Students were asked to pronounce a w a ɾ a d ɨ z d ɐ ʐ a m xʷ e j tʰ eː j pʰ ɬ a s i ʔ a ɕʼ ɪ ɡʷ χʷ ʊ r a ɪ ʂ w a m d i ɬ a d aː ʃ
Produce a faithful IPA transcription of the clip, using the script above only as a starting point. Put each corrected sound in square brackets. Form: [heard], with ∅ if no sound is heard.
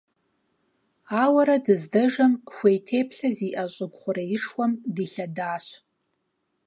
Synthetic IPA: a w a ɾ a d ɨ z d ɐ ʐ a m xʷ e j tʰ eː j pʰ ɬ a [z] i ʔ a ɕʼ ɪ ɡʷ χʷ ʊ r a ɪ ʂ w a m d i ɬ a d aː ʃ